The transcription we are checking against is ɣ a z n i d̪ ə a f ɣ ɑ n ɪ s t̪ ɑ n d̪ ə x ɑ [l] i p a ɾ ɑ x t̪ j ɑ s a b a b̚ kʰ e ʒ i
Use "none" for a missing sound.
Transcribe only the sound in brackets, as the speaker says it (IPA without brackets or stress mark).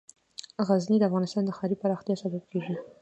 ɾ